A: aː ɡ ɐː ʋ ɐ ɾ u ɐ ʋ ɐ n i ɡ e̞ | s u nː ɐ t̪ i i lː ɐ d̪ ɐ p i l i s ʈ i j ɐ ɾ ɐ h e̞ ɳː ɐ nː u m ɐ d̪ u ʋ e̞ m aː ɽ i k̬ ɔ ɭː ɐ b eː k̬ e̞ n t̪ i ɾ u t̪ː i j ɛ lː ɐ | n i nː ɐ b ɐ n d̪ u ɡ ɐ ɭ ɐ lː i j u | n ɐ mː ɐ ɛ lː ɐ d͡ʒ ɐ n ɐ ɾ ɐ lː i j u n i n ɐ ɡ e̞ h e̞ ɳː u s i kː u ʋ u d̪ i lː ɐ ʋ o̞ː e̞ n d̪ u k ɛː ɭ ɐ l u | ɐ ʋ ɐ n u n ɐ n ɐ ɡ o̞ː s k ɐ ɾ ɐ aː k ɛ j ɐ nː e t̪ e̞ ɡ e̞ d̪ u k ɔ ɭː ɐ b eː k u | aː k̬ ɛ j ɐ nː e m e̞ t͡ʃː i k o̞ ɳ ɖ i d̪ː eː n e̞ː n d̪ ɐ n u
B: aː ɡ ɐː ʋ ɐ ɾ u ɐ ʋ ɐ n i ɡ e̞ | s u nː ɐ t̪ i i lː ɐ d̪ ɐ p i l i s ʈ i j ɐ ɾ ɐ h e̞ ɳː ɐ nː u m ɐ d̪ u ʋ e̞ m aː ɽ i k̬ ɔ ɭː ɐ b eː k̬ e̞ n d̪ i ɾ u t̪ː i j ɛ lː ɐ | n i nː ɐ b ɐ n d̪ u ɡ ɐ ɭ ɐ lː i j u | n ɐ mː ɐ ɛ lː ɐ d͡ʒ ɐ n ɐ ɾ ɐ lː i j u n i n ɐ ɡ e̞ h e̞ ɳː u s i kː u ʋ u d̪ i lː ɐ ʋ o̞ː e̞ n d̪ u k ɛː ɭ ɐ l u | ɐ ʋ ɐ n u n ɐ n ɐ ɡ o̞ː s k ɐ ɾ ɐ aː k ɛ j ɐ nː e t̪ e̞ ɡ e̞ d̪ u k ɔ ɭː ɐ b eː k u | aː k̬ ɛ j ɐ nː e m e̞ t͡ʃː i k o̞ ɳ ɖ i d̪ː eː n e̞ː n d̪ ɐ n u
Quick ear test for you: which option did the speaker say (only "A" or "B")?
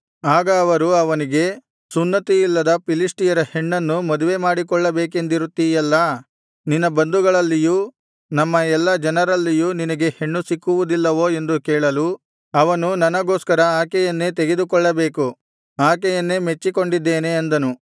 B